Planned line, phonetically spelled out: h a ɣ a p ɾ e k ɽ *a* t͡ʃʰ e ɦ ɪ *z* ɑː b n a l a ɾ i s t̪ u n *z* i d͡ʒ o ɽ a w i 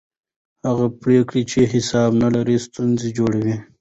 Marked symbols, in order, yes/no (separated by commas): no, no, yes